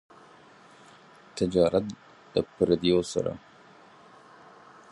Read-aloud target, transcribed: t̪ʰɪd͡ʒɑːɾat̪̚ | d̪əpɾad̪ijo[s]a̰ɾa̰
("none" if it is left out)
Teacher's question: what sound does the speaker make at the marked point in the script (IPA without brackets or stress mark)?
s